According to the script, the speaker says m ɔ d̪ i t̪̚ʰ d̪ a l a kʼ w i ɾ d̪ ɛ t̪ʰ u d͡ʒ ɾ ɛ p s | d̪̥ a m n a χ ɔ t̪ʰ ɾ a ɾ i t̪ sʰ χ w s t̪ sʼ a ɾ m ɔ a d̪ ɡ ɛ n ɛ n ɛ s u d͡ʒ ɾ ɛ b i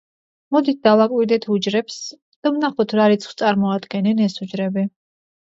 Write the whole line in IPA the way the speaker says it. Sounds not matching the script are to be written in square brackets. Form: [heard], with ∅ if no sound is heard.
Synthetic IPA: m ɔ d̪ i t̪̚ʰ d̪ a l a kʼ w i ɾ d̪ ɛ t̪ʰ u d͡ʒ ɾ ɛ p s | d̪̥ a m n a χ ɔ t̪ʰ ɾ a ɾ i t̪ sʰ χ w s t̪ sʼ a ɾ m ɔ a d̪ ɡ ɛ n ɛ n ɛ s u d͡ʒ ɾ ɛ b i